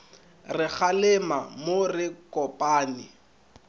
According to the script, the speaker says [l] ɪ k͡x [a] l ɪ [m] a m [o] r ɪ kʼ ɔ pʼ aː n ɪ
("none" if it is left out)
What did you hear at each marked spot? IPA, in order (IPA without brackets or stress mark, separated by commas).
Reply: r, a, m, o